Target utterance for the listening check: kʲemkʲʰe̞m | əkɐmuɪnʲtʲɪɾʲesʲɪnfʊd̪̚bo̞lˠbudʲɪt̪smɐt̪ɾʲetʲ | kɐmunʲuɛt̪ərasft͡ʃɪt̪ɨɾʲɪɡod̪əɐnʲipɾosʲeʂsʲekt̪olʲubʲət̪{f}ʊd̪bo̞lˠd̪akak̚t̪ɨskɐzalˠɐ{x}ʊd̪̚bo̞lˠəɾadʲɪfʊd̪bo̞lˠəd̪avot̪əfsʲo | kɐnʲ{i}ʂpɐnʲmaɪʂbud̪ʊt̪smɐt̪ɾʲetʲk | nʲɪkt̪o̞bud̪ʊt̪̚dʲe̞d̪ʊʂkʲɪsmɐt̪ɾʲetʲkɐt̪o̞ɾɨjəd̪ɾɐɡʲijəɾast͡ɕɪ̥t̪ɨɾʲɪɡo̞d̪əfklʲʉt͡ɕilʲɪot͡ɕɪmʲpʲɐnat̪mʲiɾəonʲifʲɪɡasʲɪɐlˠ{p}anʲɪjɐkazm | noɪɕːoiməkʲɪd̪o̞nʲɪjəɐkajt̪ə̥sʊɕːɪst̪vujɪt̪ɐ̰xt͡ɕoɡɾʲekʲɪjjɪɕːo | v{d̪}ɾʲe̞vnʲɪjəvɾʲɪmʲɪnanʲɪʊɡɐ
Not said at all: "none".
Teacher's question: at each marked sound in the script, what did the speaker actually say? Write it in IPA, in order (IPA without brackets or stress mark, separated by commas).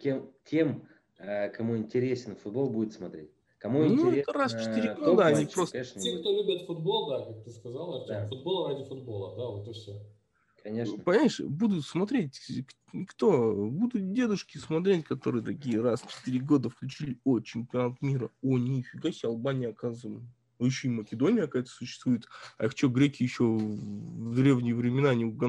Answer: f, f, e, b, d̪